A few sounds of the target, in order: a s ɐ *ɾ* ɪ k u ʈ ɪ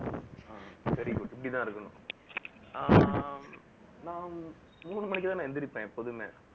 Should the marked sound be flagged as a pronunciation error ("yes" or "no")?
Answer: no